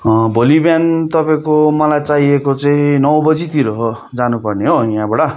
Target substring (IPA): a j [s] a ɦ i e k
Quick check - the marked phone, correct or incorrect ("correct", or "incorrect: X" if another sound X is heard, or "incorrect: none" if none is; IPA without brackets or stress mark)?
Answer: incorrect: t͡s